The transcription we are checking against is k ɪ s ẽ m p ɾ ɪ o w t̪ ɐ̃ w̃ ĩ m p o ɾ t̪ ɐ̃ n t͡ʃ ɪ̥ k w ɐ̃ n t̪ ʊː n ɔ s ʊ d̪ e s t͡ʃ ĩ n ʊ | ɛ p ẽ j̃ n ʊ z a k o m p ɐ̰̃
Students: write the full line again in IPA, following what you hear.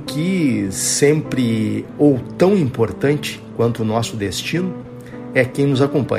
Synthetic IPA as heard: k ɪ s ẽ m p ɾ ɪ o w t̪ ɐ̃ w̃ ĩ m p o ɾ t̪ ɐ̃ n t͡ʃ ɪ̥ k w ɐ̃ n t̪ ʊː n ɔ s ʊ d̪ e s t͡ʃ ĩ n ʊ | ɛ k ẽ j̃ n ʊ z a k õ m p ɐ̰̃